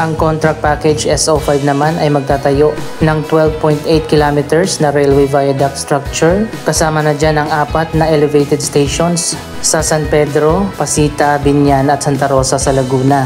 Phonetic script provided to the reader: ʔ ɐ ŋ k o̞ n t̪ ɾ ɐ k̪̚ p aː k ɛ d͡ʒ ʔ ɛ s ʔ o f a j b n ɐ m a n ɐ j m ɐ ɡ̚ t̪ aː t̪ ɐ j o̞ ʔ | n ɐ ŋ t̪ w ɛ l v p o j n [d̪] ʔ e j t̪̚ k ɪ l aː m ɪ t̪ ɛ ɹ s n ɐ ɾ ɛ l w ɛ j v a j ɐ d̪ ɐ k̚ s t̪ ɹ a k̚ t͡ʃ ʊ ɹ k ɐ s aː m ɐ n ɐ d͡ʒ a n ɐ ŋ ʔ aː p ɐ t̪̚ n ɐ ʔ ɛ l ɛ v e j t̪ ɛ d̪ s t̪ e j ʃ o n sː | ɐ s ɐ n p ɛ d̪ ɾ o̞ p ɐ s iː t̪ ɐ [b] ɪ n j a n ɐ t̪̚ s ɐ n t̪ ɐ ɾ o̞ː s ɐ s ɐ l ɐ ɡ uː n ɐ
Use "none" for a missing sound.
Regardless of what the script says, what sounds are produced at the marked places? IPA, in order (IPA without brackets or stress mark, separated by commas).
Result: t̪, b